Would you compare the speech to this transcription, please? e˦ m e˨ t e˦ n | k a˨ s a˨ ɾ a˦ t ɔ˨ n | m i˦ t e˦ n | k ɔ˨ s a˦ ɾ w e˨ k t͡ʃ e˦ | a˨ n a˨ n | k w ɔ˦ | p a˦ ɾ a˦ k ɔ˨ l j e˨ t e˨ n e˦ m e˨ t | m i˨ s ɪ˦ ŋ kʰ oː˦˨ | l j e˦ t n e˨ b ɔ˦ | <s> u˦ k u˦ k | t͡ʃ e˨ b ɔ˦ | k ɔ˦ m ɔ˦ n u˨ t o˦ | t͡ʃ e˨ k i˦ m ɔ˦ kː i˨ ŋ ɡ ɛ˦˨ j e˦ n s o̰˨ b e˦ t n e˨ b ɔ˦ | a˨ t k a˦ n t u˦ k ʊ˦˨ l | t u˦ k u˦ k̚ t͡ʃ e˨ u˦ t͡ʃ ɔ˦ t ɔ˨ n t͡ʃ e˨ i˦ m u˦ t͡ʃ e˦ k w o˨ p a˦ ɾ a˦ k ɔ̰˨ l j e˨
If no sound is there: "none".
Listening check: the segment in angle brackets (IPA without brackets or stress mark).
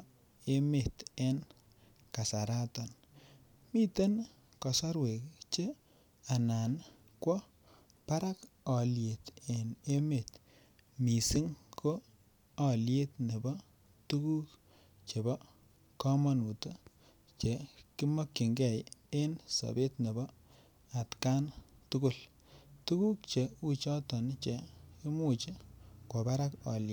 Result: t